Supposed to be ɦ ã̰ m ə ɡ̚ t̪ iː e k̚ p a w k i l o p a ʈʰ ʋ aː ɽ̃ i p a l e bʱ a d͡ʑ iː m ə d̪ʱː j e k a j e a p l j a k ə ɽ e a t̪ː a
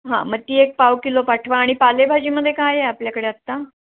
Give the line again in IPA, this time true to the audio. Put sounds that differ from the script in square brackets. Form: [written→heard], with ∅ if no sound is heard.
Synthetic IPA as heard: ɦ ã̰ m ə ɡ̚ t̪ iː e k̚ p a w k i l o p a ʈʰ ʋ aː ɽ̃ i p a l e bʱ a d͡ʑ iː m ə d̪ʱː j e k a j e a p l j a k ə ɽ e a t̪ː a